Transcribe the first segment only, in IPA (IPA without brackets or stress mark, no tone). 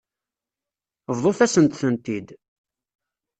v